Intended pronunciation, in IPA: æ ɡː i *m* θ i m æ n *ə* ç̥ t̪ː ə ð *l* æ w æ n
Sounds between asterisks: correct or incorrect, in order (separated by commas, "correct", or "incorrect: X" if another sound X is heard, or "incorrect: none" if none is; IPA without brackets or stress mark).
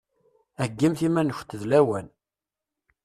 correct, correct, correct